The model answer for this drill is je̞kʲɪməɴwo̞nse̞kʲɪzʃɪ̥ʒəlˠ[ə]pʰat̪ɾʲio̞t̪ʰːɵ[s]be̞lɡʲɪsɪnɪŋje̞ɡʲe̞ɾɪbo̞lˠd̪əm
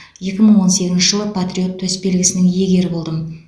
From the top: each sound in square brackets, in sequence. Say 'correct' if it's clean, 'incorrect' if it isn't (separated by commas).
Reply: correct, correct